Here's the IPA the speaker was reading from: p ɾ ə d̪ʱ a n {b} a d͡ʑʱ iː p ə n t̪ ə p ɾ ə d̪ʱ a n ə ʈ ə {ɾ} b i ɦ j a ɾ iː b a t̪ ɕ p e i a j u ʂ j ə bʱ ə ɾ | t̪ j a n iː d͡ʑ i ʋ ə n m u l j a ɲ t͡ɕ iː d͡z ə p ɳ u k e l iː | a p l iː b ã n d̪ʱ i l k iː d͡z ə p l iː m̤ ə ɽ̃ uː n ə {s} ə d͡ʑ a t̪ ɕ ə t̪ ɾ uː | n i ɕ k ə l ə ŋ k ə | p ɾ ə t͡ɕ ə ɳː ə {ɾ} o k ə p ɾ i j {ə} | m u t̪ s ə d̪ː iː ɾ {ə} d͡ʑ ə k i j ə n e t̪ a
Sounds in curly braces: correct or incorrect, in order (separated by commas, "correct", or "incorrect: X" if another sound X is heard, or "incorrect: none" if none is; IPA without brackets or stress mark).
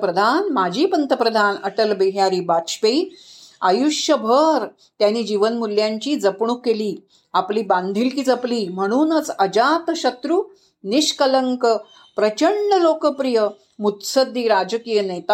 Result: incorrect: m, incorrect: l, incorrect: t͡s, incorrect: l, correct, incorrect: a